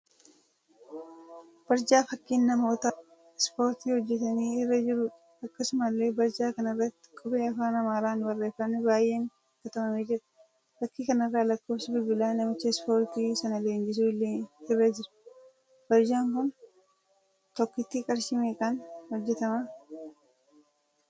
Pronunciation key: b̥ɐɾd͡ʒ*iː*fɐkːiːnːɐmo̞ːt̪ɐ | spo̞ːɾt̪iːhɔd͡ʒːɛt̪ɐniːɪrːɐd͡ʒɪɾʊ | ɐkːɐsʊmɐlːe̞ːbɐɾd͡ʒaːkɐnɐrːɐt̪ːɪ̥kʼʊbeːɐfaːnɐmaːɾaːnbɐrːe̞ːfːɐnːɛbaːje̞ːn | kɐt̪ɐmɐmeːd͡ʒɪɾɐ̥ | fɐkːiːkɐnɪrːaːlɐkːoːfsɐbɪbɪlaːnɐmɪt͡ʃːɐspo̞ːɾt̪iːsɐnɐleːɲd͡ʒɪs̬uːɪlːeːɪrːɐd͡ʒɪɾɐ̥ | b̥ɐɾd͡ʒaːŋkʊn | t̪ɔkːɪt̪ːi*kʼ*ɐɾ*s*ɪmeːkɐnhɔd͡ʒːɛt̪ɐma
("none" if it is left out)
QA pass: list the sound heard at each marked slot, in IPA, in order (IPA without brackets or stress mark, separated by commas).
aː, kʼ, ʃ